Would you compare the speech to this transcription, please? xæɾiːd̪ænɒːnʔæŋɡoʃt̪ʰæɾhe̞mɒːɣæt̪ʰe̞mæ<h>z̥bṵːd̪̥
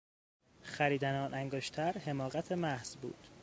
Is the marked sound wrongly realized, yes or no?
no